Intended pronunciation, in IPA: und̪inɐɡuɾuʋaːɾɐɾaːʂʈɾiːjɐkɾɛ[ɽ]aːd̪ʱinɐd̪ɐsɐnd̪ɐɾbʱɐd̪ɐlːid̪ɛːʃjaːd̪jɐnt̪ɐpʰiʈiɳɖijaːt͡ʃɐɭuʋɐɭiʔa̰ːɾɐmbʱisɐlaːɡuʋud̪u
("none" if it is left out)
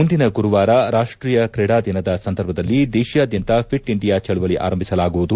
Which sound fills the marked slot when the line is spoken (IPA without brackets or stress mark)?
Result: ɽ